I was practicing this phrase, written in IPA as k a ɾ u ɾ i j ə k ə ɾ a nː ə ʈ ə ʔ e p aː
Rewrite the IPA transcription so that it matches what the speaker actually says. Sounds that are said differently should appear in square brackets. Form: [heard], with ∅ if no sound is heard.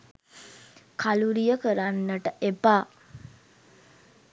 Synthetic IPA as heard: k a [l] u ɾ i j ə k ə ɾ a nː ə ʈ ə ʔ e p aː